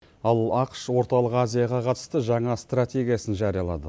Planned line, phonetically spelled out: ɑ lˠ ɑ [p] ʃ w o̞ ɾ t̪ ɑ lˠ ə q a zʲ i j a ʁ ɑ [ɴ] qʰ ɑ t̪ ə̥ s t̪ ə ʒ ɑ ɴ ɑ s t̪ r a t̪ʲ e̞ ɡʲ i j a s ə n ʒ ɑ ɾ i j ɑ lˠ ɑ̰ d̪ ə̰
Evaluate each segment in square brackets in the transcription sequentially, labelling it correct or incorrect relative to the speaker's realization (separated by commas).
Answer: incorrect, incorrect